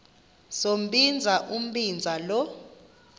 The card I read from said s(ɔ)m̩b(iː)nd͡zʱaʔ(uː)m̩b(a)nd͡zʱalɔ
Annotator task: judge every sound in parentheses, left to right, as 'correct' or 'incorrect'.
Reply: incorrect: o, incorrect: i, incorrect: u, incorrect: i

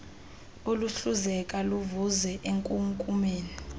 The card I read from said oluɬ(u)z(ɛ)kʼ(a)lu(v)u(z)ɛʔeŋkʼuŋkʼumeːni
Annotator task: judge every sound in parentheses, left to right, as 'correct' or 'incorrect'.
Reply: correct, correct, correct, correct, correct

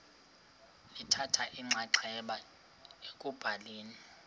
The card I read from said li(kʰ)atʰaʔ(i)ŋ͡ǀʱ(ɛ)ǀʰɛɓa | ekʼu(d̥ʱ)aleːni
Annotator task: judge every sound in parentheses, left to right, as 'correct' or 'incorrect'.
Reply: incorrect: tʰ, correct, incorrect: a, incorrect: b̥ʱ

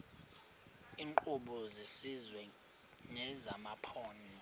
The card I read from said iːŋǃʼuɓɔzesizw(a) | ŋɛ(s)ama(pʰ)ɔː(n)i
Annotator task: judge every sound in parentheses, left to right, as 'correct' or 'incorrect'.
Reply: incorrect: ɛ, incorrect: z, correct, correct

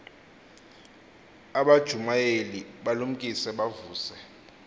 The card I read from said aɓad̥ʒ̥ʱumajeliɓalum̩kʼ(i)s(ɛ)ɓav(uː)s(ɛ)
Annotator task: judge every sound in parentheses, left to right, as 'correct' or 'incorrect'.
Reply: correct, correct, correct, correct

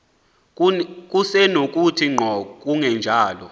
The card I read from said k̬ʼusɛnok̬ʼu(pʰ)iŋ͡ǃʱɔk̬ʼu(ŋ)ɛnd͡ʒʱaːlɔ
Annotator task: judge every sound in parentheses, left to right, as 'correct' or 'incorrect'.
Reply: incorrect: tʰ, correct

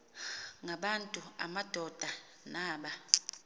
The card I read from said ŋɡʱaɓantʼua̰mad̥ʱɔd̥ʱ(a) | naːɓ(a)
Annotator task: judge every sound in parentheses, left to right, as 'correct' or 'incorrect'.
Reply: correct, correct

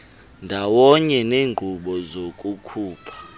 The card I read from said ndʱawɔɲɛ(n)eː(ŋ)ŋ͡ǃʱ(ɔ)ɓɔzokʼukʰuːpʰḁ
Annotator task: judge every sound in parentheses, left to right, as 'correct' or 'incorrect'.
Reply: correct, correct, incorrect: u

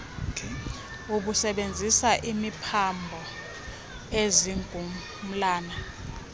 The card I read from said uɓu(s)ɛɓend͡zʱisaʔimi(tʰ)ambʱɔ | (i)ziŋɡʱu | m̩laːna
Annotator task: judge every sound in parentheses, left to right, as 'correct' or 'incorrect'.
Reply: correct, incorrect: pʰ, incorrect: e

